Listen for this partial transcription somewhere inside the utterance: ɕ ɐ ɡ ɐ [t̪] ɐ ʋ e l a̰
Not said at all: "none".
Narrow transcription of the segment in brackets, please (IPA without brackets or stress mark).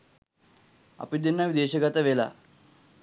t̪